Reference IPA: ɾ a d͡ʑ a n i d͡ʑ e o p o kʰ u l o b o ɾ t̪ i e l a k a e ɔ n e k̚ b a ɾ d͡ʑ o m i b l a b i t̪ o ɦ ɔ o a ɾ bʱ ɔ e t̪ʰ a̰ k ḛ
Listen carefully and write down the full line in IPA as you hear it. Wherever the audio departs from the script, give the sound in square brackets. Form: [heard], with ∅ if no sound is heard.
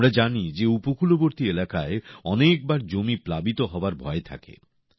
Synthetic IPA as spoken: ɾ a d͡ʑ a n i d͡ʑ e [u] p o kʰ u l o b o ɾ t̪ i e l a k a e ɔ n e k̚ b a ɾ d͡ʑ o m i [p] l a b i t̪ o ɦ ɔ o a ɾ bʱ ɔ e t̪ʰ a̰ k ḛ